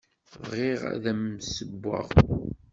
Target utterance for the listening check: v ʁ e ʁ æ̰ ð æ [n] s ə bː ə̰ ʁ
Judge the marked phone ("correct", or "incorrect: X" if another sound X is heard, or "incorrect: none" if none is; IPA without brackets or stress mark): incorrect: m